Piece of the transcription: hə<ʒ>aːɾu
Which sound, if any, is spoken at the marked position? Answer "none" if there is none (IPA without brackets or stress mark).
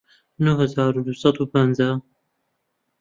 z